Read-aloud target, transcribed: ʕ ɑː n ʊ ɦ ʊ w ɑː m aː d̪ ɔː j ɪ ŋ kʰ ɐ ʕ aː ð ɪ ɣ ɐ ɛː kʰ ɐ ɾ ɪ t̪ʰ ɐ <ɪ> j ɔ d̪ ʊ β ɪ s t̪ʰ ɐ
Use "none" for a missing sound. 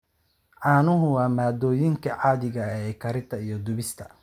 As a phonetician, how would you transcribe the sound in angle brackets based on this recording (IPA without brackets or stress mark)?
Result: i